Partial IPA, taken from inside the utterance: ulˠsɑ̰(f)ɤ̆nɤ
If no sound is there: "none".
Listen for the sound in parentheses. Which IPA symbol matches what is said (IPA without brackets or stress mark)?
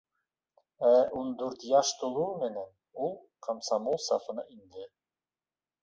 f